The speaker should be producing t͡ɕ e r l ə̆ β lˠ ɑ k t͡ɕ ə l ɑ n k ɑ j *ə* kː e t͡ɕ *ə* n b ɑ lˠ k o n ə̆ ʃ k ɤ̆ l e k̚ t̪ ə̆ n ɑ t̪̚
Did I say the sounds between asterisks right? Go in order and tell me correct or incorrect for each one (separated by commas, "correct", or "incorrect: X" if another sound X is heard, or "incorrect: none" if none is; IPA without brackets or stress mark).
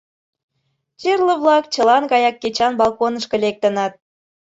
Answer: incorrect: ɑ, incorrect: ɑ